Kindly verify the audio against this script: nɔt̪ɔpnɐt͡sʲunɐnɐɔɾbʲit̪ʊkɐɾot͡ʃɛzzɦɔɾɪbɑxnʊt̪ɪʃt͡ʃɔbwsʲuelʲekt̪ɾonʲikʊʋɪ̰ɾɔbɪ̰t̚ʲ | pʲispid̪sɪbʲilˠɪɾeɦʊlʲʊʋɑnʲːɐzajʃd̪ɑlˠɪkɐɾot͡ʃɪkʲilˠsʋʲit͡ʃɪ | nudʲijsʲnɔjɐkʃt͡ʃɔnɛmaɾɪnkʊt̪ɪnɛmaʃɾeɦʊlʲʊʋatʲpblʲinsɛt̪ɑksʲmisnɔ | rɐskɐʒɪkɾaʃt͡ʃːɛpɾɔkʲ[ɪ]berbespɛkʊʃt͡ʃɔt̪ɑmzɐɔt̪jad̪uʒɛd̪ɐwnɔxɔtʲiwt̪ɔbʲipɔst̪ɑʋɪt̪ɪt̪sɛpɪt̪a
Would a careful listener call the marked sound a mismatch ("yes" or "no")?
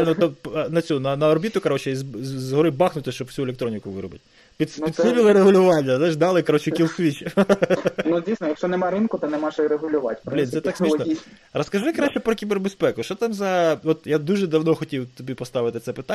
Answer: yes